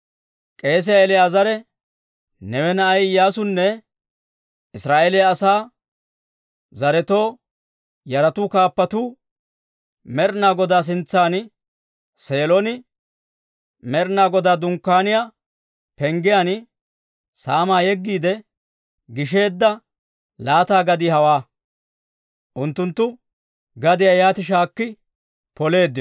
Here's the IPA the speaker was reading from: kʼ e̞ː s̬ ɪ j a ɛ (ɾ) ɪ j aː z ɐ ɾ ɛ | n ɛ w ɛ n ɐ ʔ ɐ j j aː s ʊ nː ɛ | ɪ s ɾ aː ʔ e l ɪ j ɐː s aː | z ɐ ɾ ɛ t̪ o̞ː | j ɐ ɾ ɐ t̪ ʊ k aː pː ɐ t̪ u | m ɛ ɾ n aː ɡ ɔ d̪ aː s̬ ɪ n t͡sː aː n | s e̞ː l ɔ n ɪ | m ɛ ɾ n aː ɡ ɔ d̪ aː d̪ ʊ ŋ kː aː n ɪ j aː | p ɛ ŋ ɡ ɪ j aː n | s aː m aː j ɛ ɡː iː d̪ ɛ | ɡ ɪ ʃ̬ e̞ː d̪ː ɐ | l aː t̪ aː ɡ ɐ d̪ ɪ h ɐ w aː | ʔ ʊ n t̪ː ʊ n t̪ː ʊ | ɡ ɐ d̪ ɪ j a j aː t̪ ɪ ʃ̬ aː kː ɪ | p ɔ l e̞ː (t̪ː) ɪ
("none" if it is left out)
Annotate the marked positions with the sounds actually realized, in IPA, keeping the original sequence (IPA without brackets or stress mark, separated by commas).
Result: l, d̪ː